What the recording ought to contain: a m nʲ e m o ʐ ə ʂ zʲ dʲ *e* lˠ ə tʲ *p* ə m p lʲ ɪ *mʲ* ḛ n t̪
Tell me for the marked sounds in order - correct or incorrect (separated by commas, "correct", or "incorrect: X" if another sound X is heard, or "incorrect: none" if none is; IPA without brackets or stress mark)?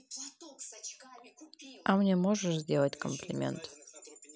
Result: correct, incorrect: k, correct